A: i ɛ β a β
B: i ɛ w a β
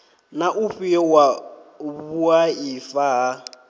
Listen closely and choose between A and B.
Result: B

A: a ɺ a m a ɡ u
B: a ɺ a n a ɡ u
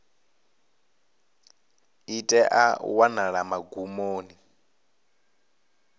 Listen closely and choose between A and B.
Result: A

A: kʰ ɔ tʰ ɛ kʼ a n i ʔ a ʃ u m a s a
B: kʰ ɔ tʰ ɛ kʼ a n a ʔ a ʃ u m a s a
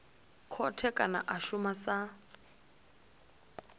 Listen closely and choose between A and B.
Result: B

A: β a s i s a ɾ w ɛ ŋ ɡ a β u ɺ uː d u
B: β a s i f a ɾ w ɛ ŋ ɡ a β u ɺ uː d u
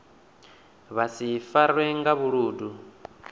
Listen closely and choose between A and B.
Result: B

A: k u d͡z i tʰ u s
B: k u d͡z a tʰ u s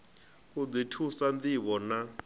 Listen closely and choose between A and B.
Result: A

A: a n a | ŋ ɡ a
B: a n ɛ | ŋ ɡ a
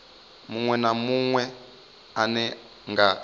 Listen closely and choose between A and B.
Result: B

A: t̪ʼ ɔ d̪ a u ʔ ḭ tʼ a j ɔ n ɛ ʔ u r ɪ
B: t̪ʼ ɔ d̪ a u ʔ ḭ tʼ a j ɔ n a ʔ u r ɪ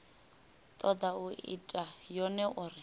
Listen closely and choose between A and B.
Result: A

